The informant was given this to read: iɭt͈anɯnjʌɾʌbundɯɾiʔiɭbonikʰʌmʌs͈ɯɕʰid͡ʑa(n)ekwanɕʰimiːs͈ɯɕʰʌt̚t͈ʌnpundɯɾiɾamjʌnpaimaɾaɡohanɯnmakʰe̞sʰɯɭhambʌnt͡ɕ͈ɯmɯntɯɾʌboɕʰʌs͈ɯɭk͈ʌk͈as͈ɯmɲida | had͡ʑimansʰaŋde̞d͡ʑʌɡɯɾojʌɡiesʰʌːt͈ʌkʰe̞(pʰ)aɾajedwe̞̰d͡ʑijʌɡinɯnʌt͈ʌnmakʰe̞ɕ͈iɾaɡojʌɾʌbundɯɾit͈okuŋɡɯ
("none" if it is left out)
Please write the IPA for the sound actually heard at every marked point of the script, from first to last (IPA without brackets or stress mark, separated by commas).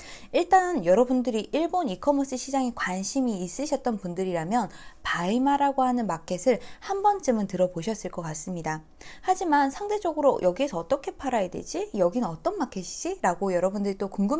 ŋ, pʰ